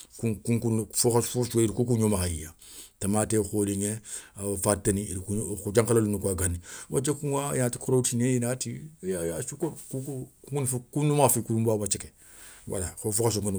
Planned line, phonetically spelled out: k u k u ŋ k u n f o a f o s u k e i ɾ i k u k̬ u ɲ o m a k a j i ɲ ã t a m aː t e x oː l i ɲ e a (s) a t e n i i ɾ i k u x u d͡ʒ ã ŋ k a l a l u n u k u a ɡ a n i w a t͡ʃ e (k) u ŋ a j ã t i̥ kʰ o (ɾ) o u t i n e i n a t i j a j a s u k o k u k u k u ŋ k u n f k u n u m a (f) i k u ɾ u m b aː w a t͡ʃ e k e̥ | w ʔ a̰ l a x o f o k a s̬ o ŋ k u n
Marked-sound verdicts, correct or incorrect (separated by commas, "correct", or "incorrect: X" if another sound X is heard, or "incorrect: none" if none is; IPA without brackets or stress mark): incorrect: f, correct, correct, correct